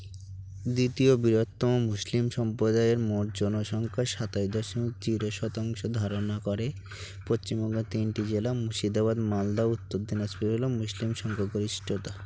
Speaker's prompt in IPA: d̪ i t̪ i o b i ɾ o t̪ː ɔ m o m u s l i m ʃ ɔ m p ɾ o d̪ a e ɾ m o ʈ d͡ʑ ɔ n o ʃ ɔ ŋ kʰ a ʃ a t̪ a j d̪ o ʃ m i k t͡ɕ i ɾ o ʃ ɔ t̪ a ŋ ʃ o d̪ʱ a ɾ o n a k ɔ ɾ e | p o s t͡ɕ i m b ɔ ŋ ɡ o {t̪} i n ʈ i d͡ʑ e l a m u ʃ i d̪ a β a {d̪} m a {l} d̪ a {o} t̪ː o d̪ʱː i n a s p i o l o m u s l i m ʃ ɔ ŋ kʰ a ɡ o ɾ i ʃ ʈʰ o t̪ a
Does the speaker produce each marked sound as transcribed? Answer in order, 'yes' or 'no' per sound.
yes, yes, yes, no

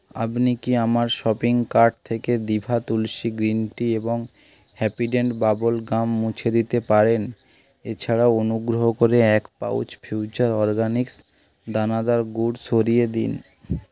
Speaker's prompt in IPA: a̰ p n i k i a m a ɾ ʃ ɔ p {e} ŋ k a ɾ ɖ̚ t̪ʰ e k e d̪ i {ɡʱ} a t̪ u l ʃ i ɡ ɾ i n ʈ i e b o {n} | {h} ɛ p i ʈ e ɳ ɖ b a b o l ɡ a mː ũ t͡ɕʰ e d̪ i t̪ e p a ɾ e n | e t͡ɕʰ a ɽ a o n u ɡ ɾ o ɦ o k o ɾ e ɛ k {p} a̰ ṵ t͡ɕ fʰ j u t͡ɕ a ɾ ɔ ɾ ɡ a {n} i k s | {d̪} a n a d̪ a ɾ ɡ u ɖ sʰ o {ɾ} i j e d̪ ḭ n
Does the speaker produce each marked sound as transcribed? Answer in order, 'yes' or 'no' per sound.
no, no, no, yes, yes, yes, yes, yes

